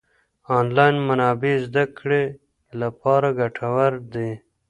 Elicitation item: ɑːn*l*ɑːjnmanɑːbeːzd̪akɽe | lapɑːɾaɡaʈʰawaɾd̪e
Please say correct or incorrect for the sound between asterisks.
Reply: correct